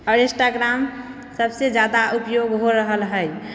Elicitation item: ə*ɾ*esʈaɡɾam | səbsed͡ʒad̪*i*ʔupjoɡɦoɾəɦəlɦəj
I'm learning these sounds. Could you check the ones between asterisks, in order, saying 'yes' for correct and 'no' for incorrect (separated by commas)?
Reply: yes, no